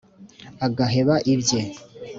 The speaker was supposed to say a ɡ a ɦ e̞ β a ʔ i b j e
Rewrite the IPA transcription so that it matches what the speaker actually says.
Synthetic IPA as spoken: a ɡ a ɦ e̞ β a ʔ i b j e